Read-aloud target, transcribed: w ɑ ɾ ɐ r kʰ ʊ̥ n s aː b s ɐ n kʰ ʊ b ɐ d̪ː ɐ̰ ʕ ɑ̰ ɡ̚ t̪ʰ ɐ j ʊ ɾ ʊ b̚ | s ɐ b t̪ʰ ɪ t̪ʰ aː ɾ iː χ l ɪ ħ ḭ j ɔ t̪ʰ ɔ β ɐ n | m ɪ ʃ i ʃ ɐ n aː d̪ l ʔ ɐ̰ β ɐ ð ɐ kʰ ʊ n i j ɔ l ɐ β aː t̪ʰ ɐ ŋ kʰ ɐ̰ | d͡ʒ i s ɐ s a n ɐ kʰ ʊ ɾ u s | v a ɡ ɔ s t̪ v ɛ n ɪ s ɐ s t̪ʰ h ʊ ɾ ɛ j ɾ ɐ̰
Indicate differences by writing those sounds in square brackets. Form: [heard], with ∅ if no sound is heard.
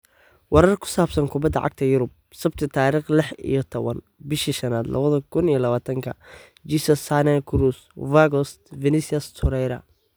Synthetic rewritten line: w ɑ ɾ ɐ r kʰ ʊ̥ [∅] s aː b s ɐ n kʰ ʊ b ɐ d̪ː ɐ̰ ʕ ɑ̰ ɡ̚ t̪ʰ ɐ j ʊ ɾ ʊ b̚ | s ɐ b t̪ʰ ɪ t̪ʰ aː ɾ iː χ l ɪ ħ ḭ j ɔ t̪ʰ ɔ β ɐ n | [b] ɪ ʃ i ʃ ɐ n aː d̪ l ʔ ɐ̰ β ɐ ð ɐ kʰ ʊ n i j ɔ l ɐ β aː t̪ʰ ɐ ŋ kʰ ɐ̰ | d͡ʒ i s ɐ s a n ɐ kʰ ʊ ɾ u s | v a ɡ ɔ s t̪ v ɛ n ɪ s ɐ s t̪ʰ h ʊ ɾ ɛ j ɾ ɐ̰